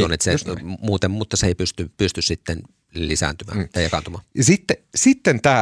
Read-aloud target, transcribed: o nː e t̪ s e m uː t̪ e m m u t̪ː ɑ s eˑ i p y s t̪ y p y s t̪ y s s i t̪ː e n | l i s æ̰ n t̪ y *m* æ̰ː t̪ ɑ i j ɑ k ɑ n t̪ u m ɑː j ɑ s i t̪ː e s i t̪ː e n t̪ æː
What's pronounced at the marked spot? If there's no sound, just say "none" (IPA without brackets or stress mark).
m